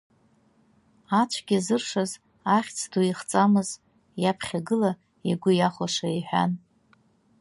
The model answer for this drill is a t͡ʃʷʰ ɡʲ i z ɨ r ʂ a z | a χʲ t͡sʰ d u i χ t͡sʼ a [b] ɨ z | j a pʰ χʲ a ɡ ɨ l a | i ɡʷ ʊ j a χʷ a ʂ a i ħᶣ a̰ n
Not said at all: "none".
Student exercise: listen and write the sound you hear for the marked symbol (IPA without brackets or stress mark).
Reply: m